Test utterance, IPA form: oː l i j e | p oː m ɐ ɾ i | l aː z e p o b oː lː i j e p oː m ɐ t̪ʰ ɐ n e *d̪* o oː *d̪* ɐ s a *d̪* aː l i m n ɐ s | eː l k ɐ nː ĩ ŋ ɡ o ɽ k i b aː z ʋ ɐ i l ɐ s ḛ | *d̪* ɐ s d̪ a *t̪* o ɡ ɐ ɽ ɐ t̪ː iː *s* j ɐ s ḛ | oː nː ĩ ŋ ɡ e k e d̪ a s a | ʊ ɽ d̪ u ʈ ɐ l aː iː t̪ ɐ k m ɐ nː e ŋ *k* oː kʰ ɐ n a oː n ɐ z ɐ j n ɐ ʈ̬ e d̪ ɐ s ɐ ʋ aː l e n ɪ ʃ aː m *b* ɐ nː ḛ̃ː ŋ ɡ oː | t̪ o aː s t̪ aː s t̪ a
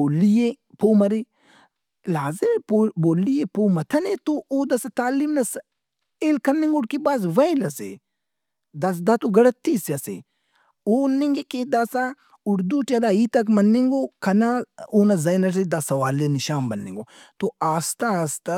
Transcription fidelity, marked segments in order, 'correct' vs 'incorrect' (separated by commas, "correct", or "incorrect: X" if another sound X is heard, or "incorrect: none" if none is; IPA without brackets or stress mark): incorrect: t̪, correct, incorrect: t̪, correct, correct, correct, incorrect: ɡ, correct